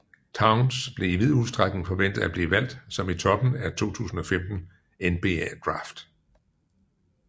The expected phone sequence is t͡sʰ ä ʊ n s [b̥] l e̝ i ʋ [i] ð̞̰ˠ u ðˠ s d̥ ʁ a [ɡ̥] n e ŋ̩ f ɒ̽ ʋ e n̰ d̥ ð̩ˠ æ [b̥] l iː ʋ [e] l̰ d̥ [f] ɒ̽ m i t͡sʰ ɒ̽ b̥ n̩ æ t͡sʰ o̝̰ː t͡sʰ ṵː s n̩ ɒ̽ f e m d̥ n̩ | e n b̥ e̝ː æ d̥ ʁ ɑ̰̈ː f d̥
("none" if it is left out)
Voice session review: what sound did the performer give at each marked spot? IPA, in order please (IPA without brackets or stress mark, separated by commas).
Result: b̥, i, ɡ̥, b̥, æ, s